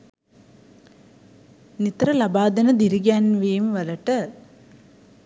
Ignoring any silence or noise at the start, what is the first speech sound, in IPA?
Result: n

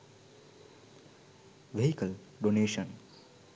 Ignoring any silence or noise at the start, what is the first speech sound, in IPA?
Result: ʋ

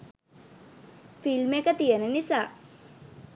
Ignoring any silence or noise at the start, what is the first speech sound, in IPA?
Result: f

